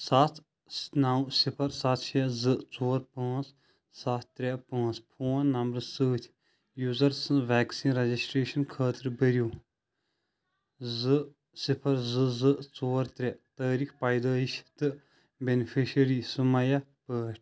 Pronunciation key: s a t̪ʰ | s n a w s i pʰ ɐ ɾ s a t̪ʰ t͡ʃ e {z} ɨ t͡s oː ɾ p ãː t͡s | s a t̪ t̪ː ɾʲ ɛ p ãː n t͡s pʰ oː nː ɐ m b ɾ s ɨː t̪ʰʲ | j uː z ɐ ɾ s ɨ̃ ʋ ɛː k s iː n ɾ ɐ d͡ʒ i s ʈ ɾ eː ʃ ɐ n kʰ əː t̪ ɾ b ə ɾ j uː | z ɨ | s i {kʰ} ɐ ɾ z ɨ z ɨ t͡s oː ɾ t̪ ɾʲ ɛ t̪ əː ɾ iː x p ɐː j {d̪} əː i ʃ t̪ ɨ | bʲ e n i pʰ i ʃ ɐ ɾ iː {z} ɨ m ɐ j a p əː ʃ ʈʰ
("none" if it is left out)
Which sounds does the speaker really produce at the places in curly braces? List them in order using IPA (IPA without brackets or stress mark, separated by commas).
z, pʰ, d̪, s